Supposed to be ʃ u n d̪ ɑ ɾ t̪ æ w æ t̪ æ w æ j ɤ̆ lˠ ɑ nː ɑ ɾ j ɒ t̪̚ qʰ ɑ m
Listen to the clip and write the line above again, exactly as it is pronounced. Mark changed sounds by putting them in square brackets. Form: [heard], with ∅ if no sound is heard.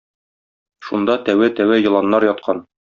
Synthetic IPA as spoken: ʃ u n d̪ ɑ [∅] t̪ æ w æ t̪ æ w æ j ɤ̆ lˠ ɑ nː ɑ ɾ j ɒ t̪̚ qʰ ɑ [n]

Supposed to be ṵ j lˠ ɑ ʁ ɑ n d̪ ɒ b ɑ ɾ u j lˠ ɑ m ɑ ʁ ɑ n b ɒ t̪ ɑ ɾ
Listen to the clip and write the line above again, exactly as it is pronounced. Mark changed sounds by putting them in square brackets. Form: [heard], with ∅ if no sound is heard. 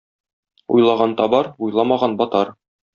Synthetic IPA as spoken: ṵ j lˠ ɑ ʁ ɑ n [t̪] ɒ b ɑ ɾ u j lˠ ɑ m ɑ ʁ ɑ n b ɒ t̪ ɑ ɾ

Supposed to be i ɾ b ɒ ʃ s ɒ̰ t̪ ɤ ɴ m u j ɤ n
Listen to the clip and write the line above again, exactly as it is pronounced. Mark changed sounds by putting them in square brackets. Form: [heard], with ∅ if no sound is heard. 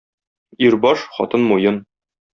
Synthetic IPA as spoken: i ɾ b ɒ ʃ [χ] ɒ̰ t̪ ɤ [n] m u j ɤ n

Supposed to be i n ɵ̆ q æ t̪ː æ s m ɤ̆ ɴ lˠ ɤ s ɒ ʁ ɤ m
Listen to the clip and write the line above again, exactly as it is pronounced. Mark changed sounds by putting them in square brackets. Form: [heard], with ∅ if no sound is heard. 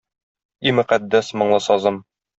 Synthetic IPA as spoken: i [m] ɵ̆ q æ [d̪ː] æ s m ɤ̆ ɴ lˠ ɤ s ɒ [z] ɤ m

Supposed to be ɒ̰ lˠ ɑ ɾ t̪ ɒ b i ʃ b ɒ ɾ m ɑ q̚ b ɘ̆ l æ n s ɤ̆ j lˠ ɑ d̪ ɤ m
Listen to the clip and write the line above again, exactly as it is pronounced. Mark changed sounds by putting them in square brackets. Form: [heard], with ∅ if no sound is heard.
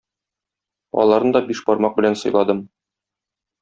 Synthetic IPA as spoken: ɒ̰ lˠ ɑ ɾ [d̪] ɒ b i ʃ b ɒ ɾ m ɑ q̚ b ɘ̆ l æ n s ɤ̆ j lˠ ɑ d̪ ɤ m

